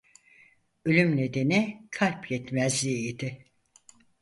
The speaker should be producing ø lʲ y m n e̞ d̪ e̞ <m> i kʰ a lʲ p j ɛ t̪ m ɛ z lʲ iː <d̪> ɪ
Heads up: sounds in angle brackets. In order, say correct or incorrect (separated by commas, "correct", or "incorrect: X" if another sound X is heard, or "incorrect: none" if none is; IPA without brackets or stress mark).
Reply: incorrect: n, correct